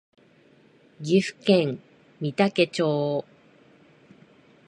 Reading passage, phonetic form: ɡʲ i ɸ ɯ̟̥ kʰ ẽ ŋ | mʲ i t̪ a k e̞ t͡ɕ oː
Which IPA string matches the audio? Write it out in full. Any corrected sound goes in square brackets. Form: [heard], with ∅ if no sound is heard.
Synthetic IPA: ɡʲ i ɸ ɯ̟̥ [k] ẽ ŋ | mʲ i t̪ a k e̞ t͡ɕ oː